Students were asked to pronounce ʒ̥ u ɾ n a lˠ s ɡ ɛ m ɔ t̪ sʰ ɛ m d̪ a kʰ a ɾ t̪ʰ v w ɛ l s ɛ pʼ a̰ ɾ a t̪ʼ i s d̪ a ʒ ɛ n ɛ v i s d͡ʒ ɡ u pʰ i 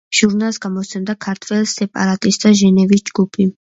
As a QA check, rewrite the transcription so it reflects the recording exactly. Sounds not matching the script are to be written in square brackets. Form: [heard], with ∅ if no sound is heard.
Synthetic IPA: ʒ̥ u ɾ n a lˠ s ɡ [a] m ɔ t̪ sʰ ɛ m d̪ a kʰ a ɾ t̪ʰ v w ɛ l s ɛ pʼ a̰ ɾ a t̪ʼ i s d̪ a ʒ ɛ n ɛ v i s d͡ʒ ɡ u pʰ i